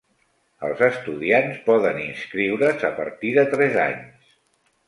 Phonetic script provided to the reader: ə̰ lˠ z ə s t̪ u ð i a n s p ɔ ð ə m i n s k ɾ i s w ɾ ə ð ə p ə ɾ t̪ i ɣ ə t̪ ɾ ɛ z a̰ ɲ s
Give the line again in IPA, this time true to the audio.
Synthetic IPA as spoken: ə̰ lˠ z ə s t̪ u ð i a n s p ɔ ð ə n i n s k ɾ i w ɾ ə z ə p ə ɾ t̪ i ð ə t̪ ɾ ɛ z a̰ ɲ s